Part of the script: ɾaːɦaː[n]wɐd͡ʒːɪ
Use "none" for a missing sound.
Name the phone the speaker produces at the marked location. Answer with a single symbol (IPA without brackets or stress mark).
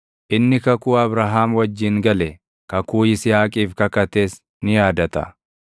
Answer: m